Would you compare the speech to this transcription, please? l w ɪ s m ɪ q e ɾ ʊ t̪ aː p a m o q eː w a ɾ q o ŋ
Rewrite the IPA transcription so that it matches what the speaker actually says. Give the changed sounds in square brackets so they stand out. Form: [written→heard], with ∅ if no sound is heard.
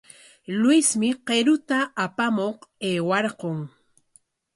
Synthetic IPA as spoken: l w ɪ s m ɪ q e ɾ ʊ t̪ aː p a m o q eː w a ɾ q o ŋ